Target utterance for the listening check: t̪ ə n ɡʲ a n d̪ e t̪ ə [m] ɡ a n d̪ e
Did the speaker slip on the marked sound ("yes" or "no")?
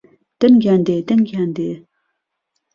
yes